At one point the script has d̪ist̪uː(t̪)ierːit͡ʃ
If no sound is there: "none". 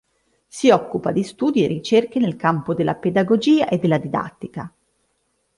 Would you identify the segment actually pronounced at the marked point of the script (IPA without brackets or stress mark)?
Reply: d̪